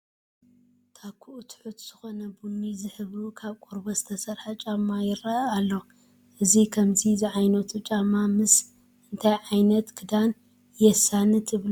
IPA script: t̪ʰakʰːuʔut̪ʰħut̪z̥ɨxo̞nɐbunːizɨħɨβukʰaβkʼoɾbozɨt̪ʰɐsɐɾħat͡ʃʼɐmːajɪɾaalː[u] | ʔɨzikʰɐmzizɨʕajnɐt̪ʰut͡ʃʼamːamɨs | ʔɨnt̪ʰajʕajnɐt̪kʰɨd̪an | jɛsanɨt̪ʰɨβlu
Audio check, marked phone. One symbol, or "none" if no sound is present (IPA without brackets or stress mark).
o